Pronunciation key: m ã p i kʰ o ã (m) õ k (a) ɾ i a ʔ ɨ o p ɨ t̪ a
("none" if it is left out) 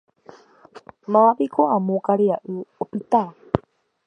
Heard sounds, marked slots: m, a

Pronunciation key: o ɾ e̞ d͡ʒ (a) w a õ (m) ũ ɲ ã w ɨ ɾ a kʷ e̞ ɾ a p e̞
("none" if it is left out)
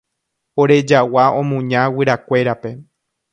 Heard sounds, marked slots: a, m

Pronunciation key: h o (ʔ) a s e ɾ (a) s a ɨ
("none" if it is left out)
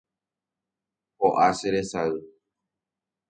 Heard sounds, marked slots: ʔ, e

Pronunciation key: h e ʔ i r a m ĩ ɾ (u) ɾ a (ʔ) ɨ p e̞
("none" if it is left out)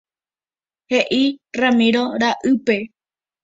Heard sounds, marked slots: o, ʔ

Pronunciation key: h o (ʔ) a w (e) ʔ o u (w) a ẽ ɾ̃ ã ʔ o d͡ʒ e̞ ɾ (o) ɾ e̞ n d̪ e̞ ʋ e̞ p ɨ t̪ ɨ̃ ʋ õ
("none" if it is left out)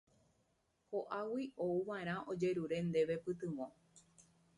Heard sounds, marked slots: ʔ, i, ʋ, u

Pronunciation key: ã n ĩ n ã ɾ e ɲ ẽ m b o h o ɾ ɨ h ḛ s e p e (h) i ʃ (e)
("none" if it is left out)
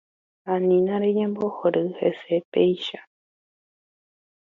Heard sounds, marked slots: none, a

